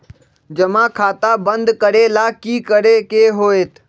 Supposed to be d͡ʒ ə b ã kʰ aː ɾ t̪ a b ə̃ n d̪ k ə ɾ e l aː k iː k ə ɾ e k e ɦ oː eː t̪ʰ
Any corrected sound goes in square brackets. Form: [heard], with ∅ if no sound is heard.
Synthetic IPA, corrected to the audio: d͡ʒ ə [m] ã kʰ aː [∅] t̪ a b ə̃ n d̪ k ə ɾ e l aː k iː k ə ɾ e k e ɦ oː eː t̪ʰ

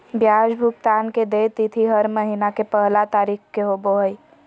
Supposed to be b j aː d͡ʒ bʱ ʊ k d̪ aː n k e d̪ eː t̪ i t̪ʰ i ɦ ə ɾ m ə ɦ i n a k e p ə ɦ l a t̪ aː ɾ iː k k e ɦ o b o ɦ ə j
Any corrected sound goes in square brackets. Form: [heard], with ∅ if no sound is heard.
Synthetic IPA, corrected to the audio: b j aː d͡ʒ bʱ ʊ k [t̪] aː n k e d̪ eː t̪ i t̪ʰ i ɦ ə ɾ m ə ɦ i n a k e p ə ɦ l a t̪ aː ɾ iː k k e ɦ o b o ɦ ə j

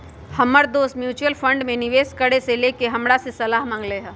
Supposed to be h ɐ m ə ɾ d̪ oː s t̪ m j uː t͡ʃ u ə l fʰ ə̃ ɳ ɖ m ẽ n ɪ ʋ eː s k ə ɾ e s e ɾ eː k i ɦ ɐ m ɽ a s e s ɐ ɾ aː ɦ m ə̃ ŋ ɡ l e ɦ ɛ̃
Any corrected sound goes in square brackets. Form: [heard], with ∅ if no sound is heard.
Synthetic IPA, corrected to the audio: h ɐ m ə ɾ d̪ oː s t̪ m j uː t͡ʃ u ə l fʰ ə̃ ɳ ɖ m ẽ n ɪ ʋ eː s k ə [ɽ] e s e [l] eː k [e] ɦ ɐ m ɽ a s e s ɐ [l] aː ɦ m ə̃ ŋ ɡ l e ɦ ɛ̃

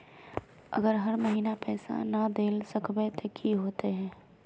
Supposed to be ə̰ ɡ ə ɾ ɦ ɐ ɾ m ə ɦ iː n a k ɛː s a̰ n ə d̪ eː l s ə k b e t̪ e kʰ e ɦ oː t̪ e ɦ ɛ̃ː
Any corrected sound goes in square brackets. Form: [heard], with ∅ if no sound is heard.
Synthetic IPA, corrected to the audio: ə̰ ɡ ə ɾ ɦ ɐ ɾ m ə ɦ iː n a [p] ɛː s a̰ n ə d̪ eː l s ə k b e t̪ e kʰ [i] ɦ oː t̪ e ɦ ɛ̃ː

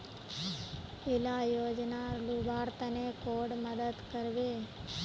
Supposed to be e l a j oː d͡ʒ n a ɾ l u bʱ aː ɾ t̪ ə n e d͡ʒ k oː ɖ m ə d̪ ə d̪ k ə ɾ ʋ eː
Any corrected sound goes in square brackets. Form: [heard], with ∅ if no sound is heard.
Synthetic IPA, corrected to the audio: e l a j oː d͡ʒ n a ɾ l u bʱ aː ɾ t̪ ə n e [∅] k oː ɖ m ə d̪ ə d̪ k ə ɾ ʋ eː

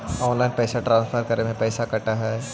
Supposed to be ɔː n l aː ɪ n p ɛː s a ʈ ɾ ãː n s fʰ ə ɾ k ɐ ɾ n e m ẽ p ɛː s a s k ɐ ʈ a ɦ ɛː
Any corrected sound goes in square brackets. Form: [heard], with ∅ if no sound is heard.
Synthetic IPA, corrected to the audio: ɔː n l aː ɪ n p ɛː s a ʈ ɾ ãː n s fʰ ə ɾ k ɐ ɾ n e m ẽ p ɛː s a [∅] k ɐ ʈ a ɦ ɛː

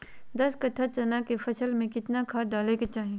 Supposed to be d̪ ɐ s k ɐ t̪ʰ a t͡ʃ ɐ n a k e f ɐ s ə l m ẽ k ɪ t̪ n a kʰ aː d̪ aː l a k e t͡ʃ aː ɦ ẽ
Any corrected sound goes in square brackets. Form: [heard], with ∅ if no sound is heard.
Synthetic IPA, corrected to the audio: d̪ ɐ s k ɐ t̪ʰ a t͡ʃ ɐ n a k e f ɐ s ə l m ẽ k ɪ t̪ n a kʰ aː d̪ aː l [e] k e t͡ʃ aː ɦ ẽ

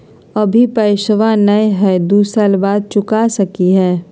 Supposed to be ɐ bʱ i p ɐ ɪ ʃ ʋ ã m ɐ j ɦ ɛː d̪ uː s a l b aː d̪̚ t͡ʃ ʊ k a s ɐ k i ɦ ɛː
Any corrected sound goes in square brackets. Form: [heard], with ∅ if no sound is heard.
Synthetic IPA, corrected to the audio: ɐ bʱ i p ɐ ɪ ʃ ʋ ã [n] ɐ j ɦ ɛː d̪ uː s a l b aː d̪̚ t͡ʃ ʊ k a s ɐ k i ɦ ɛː

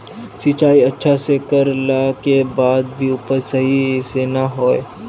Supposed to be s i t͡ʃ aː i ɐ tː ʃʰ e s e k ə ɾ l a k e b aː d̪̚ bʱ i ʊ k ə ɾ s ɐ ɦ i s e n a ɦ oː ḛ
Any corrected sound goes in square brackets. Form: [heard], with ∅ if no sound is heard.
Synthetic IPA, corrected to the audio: s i t͡ʃ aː i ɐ tː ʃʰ [a] s e k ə ɾ l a k e b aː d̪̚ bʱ i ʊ [p] ə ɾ s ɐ ɦ i s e n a ɦ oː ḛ

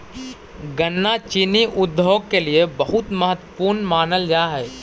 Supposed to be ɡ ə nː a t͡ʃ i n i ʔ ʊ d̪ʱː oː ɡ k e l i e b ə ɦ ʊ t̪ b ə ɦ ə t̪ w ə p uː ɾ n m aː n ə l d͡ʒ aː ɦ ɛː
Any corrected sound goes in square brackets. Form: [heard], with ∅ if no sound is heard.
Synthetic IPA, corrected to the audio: ɡ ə nː a t͡ʃ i n i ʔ ʊ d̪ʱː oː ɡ k e l i e b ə ɦ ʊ t̪ [m] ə ɦ ə t̪ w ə p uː ɾ n m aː n ə l d͡ʒ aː ɦ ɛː

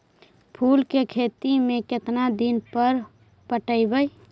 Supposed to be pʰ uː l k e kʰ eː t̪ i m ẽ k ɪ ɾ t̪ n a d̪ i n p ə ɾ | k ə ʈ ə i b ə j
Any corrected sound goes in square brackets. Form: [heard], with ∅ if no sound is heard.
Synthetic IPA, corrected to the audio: pʰ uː l k e kʰ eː t̪ i m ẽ k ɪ [∅] t̪ n a d̪ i n p ə ɾ | [p] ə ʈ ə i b ə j

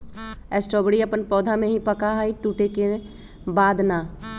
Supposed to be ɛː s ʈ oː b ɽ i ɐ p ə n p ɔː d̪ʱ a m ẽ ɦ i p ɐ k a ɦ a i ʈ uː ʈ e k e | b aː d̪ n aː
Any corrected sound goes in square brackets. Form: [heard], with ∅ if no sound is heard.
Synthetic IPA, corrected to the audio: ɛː s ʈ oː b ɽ i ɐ p ə n p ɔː d̪ʱ a m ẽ ɦ i p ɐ k a ɦ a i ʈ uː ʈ e k e | b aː d̪ n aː

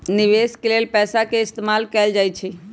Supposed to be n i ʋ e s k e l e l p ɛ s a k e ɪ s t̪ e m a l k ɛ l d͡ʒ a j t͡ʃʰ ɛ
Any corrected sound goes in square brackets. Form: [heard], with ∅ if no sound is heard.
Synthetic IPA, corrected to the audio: n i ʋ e s k e l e l p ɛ s a k e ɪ s t̪ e m a l k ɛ l d͡ʒ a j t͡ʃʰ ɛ

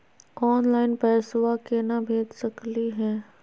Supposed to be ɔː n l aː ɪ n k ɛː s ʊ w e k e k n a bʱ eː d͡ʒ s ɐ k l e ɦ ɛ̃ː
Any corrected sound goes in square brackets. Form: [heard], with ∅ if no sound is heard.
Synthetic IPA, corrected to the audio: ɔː n l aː ɪ n [p] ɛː s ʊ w [a] k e [∅] n a bʱ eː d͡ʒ s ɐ k l [i] ɦ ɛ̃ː

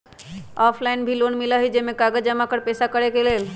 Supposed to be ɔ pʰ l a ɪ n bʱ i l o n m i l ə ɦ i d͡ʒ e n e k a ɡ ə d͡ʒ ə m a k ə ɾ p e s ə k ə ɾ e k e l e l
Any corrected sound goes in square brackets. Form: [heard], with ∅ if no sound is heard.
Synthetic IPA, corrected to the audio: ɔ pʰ l a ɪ n bʱ i l o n m i l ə ɦ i d͡ʒ e [m] e k a ɡ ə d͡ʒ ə m a k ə ɾ p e s [a] k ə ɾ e k e l e l

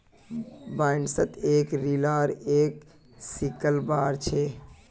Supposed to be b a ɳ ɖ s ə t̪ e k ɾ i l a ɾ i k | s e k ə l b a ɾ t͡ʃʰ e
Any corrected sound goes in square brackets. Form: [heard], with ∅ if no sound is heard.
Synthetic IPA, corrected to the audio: b a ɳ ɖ s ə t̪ e k ɾ i l a ɾ [e] k | s [i] k ə l b a ɾ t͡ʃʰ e

